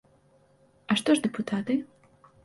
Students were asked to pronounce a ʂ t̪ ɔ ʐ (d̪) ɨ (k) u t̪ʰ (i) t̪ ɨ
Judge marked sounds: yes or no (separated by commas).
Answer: yes, no, no